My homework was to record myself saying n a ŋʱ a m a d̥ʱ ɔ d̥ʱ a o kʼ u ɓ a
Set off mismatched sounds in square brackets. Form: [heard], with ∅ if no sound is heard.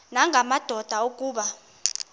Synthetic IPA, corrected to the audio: n a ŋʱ a m a d̥ʱ ɔ d̥ʱ a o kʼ [uː] ɓ a